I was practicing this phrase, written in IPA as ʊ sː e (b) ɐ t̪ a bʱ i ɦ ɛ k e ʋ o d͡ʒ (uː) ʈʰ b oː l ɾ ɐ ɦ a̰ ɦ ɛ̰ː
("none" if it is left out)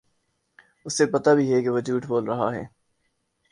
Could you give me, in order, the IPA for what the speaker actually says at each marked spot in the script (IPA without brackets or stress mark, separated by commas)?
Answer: p, uː